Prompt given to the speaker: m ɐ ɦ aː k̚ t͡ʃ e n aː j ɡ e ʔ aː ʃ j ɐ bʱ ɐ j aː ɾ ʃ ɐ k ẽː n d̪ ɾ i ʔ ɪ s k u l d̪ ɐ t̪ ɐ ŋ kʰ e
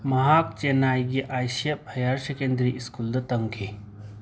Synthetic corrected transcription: m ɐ ɦ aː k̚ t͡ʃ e n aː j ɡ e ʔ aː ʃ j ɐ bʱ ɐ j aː ɾ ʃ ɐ k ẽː n d̪ ɾ i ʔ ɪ s k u l d̪ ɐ t̪ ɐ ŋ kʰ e